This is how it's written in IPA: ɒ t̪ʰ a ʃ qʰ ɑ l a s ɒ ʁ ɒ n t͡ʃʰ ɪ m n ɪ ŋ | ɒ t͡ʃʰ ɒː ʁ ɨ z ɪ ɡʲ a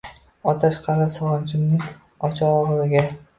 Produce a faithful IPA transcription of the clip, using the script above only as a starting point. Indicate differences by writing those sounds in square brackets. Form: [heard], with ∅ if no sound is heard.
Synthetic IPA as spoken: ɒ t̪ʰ a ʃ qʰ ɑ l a s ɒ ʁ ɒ n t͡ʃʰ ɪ m n ɪ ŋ | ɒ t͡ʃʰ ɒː ʁ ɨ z ɪ ɡʲ a